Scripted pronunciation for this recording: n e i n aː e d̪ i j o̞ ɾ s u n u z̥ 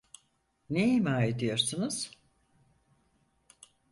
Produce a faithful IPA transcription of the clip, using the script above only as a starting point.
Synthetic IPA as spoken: n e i m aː e d̪ i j o̞ ɾ s u n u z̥